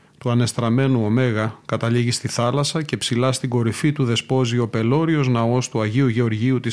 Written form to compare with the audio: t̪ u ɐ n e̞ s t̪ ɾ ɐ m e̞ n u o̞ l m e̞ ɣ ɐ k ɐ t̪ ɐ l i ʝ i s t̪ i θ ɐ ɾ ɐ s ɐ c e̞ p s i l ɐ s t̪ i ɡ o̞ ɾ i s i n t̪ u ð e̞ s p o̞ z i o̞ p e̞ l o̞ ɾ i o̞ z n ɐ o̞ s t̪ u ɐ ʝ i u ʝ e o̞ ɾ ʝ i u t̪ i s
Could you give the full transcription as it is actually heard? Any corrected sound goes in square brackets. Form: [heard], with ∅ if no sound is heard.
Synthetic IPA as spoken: t̪ u ɐ n e̞ s t̪ ɾ ɐ m e̞ n u o̞ [∅] m e̞ ɣ ɐ k ɐ t̪ ɐ l i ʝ i s t̪ i θ ɐ [l] ɐ s ɐ c e̞ p s i l ɐ s t̪ i ɡ o̞ ɾ i [f] i [∅] t̪ u ð e̞ s p o̞ z i o̞ p e̞ l o̞ ɾ i o̞ z n ɐ o̞ s t̪ u ɐ ʝ i u ʝ e o̞ ɾ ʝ i u t̪ i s